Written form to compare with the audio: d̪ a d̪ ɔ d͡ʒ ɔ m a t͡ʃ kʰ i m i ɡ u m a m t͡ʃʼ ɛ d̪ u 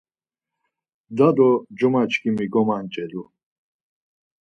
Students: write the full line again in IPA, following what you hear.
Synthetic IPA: d̪ a d̪ ɔ d͡ʒ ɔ m a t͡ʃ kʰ i m i ɡ ɔ m a n t͡ʃʼ ɛ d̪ u